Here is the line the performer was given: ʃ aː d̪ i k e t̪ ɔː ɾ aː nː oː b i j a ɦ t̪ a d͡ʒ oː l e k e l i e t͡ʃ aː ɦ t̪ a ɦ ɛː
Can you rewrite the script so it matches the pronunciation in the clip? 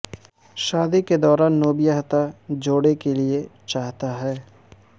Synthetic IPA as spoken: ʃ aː d̪ i k e d̪ ɔː ɾ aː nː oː b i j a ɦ t̪ a d͡ʒ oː ɽ e k e l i e t͡ʃ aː ɦ t̪ a ɦ ɛː